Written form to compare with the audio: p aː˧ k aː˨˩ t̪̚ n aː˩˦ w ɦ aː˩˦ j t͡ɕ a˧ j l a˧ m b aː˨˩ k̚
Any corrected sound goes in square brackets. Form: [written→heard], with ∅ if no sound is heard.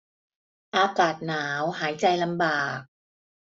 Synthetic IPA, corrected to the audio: [p→ʔ] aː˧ k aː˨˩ t̪̚ n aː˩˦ w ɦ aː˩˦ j t͡ɕ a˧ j l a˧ m b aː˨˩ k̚